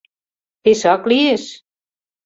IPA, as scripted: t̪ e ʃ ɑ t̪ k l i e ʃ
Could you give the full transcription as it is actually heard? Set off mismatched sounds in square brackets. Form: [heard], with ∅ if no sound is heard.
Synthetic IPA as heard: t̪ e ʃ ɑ [∅] k l i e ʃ